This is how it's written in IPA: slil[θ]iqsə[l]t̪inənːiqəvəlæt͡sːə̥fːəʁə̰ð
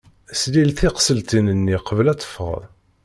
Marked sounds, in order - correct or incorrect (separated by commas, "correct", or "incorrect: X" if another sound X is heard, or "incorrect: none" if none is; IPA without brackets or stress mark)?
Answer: correct, correct